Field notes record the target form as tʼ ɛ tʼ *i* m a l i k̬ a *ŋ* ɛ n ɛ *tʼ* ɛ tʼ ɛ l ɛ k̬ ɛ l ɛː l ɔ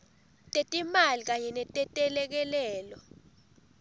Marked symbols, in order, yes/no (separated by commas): yes, no, yes